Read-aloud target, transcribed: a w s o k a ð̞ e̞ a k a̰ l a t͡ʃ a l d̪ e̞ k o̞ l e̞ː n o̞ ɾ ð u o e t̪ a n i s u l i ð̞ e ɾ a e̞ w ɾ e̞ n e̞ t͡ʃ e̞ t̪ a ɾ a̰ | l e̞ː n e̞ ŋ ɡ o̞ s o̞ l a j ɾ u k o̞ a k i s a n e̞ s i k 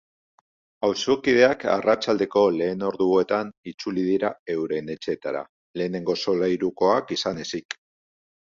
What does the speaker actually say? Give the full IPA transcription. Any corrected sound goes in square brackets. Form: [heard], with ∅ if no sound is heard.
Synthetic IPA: a w s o k [i] ð̞ e̞ a k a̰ [r] a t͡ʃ a l d̪ e̞ k o̞ l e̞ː n o̞ ɾ ð u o e t̪ a n i [t͡s] u l i ð̞ [i] ɾ a e̞ w ɾ e̞ n e̞ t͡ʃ e̞ t̪ a ɾ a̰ | l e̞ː n e̞ ŋ ɡ o̞ s o̞ l a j ɾ u k o̞ a k i s a n e̞ s i k